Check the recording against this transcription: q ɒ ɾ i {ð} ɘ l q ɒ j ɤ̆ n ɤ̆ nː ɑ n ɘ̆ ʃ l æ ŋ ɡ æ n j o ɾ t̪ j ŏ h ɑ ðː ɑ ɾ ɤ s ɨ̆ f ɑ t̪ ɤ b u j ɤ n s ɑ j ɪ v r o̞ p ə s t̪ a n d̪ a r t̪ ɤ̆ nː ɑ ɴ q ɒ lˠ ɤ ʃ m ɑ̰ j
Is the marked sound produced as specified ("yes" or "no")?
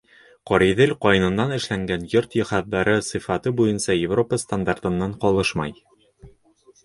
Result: yes